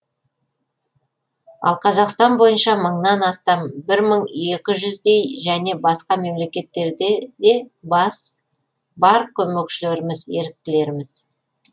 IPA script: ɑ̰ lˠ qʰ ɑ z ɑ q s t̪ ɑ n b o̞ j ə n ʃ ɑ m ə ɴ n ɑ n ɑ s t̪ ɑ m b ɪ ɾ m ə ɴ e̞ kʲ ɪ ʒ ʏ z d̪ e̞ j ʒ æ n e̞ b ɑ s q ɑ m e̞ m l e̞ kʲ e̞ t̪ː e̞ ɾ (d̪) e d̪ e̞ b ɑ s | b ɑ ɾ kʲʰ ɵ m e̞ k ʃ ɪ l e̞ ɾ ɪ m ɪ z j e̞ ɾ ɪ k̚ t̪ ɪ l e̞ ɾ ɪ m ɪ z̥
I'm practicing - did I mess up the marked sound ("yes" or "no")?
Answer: no